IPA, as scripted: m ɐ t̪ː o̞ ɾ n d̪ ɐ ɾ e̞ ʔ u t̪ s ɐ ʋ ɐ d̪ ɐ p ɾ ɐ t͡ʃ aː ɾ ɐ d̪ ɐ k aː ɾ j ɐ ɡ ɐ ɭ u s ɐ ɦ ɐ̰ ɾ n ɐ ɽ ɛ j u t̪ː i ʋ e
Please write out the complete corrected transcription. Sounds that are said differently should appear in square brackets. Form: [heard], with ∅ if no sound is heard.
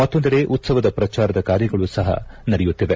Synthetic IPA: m ɐ t̪ː o̞ [∅] n d̪ ɐ ɾ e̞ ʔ u t̪ s ɐ ʋ ɐ d̪ ɐ p ɾ ɐ t͡ʃ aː ɾ ɐ d̪ ɐ k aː ɾ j ɐ ɡ ɐ ɭ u s ɐ ɦ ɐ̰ [∅] n ɐ ɽ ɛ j u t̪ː i ʋ e